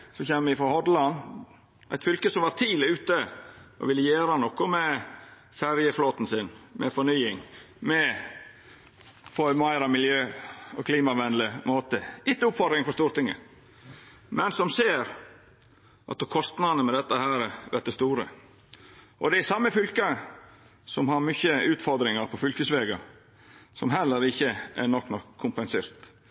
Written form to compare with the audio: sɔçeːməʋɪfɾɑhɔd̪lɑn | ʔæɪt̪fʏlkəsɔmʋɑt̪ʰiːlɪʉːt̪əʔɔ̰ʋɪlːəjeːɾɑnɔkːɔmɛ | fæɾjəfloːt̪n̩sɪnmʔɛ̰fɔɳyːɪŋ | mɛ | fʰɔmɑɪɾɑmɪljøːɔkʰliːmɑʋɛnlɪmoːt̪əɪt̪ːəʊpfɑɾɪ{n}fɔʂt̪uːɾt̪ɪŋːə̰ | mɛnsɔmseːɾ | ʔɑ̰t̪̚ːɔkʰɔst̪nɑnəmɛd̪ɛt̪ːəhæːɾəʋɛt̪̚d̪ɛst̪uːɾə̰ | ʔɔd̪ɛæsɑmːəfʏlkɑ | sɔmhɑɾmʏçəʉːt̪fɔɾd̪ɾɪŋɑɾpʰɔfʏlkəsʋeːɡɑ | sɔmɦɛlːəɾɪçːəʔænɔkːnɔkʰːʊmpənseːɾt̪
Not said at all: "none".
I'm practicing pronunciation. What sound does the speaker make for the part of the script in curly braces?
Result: ŋ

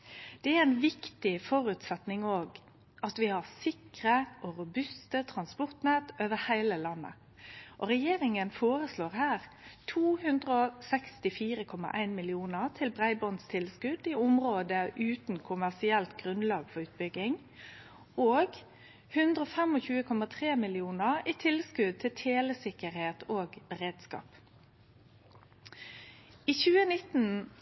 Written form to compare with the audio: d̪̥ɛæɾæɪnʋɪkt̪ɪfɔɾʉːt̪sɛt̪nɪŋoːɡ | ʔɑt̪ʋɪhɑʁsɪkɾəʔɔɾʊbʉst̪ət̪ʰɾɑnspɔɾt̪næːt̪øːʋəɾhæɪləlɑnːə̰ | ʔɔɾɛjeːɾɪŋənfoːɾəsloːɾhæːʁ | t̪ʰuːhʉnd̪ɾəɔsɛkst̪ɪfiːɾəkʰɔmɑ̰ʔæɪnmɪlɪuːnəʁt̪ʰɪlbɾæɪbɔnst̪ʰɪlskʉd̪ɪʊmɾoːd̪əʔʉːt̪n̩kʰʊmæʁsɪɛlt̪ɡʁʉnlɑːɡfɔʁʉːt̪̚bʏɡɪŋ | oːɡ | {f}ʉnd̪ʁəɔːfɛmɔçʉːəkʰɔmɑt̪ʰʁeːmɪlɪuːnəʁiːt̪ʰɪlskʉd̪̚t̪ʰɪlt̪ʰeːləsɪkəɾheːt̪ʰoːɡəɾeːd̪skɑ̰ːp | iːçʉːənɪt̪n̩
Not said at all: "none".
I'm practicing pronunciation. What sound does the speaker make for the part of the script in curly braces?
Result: h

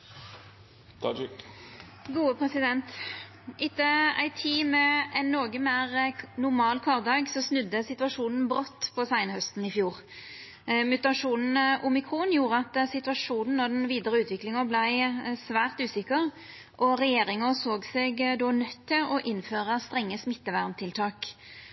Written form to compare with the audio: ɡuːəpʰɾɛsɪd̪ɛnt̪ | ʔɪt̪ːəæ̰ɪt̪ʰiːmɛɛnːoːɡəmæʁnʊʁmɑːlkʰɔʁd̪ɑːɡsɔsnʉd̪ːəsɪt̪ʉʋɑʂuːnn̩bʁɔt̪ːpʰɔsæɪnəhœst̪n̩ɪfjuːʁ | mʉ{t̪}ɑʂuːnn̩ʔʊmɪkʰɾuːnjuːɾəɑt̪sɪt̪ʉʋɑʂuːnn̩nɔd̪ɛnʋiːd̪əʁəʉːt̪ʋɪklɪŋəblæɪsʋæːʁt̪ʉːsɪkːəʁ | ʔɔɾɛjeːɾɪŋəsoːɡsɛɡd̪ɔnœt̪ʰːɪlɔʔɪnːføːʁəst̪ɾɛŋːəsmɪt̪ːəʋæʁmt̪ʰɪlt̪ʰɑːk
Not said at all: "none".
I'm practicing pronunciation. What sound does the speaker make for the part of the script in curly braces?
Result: t̪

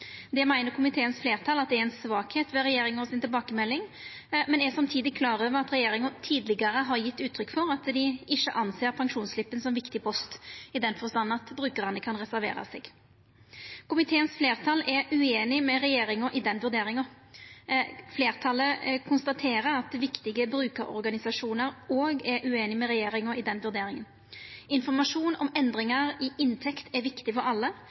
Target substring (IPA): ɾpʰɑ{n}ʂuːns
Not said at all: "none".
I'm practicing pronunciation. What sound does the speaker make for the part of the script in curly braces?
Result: ŋ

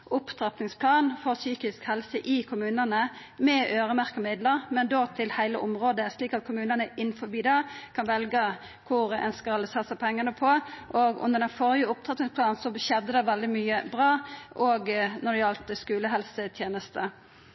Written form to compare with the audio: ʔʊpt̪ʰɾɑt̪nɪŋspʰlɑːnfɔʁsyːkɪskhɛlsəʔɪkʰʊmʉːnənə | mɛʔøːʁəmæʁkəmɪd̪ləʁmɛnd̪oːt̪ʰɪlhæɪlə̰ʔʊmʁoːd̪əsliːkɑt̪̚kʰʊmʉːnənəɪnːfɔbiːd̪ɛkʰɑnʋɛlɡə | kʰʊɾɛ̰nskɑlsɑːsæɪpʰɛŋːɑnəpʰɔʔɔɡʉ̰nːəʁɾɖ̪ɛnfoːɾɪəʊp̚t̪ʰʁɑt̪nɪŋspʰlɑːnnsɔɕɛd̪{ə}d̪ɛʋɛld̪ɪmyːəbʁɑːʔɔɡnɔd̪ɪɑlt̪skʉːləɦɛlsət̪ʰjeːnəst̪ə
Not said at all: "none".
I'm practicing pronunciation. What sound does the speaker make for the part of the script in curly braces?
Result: ə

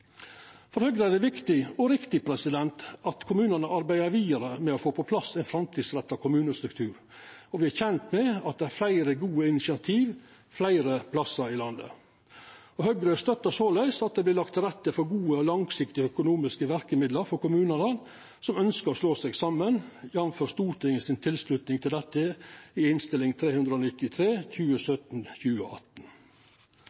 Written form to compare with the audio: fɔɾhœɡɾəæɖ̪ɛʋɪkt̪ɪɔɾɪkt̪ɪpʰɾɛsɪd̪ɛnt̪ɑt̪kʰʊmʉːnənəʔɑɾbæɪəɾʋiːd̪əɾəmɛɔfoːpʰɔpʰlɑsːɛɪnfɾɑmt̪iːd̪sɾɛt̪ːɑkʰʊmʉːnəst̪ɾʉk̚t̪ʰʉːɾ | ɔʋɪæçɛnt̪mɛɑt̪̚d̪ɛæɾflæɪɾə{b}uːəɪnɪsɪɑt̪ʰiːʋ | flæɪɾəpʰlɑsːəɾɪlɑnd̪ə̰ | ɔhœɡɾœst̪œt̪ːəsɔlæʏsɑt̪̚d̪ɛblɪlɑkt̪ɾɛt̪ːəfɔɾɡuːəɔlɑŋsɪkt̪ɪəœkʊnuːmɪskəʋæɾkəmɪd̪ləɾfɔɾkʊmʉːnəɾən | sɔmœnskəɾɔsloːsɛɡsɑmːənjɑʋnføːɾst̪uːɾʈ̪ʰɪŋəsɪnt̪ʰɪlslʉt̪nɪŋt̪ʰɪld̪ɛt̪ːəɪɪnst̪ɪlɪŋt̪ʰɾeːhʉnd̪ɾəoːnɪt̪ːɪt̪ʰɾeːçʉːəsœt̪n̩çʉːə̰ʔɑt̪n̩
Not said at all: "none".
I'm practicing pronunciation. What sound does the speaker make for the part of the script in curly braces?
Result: ɡ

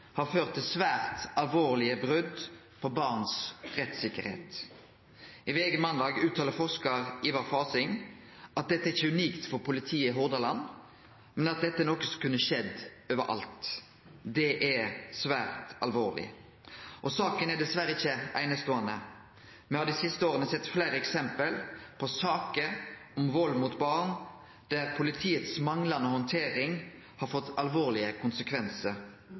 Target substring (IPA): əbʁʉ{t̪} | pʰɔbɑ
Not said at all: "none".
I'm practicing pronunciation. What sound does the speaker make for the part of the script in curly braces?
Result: d̪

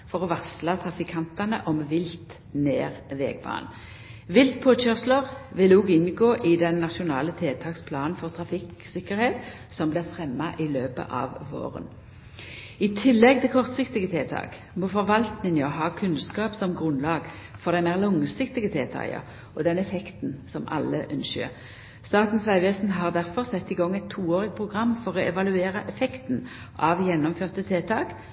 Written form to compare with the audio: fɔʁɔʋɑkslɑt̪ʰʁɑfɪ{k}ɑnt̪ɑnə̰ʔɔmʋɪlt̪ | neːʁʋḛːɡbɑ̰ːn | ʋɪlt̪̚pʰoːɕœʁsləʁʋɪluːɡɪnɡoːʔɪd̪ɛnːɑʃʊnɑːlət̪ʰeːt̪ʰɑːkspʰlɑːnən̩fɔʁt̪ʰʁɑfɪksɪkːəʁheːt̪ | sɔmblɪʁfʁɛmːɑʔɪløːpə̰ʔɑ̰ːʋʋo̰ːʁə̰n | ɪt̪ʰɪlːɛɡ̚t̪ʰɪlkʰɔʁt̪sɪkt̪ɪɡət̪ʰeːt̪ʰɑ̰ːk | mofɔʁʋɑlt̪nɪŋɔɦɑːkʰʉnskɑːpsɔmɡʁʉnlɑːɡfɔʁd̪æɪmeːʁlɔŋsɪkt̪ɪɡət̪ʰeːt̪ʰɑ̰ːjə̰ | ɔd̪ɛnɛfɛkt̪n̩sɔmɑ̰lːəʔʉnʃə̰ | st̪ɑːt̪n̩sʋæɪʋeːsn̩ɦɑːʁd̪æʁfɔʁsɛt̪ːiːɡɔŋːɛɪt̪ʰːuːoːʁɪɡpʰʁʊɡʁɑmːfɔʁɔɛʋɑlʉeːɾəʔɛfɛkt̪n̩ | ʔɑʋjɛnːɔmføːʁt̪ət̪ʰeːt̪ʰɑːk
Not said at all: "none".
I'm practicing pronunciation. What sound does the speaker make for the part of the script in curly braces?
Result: kʰ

